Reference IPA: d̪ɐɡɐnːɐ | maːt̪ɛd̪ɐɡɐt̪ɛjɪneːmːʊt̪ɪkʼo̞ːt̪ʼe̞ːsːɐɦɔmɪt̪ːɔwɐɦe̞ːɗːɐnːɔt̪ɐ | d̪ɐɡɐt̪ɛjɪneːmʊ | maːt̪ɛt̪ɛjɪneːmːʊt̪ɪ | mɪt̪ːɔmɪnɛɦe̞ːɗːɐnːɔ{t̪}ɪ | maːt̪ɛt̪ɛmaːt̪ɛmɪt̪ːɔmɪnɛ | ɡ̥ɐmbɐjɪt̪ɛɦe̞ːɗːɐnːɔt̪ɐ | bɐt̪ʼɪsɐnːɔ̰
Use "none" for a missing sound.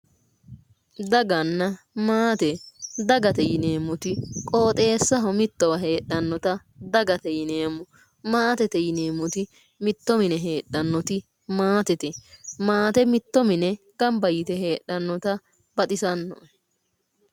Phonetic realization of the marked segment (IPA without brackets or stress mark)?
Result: t̪